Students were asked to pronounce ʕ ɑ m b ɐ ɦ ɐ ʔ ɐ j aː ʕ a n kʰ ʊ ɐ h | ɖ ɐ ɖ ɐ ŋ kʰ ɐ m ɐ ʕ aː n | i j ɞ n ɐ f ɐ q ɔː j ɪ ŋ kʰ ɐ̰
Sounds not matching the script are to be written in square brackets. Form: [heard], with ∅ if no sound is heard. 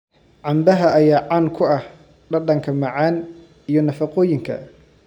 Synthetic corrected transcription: ʕ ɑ m b ɐ ɦ ɐ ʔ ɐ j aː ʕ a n kʰ ʊ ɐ h | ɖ ɐ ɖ ɐ ŋ kʰ ɐ m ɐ ʕ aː n | i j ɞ n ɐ f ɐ q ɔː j ɪ ŋ kʰ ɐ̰